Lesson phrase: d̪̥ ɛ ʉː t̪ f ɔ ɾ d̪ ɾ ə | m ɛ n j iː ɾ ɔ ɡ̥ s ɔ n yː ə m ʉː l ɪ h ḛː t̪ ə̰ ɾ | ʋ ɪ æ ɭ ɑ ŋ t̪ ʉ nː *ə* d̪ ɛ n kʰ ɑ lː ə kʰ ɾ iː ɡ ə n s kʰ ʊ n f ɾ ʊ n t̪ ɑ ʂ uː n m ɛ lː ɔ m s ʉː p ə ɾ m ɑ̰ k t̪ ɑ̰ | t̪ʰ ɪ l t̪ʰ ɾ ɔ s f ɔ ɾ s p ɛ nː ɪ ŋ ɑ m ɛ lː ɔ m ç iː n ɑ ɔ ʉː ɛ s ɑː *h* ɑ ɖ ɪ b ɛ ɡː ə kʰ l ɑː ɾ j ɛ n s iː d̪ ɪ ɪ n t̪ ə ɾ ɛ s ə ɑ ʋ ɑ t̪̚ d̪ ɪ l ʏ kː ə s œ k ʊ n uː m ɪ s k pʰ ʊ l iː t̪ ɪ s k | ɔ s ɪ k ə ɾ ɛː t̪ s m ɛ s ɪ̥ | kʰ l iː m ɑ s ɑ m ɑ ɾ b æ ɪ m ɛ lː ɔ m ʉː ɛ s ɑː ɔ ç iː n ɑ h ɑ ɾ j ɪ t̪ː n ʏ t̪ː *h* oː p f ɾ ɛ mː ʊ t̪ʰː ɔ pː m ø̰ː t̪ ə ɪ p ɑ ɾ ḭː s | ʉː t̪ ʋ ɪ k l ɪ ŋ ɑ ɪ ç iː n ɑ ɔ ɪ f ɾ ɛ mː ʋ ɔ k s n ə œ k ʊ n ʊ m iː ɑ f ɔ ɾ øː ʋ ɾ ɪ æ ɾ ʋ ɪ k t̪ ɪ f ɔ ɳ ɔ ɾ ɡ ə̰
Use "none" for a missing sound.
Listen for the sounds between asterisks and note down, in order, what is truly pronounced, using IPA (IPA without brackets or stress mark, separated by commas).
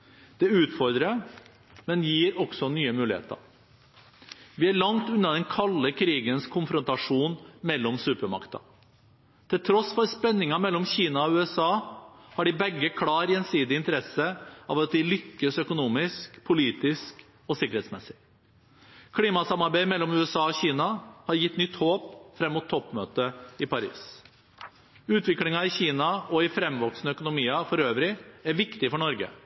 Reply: ɑ, h, h